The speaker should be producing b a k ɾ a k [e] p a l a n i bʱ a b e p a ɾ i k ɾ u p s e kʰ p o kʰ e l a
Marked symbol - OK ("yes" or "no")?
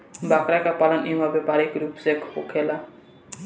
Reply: no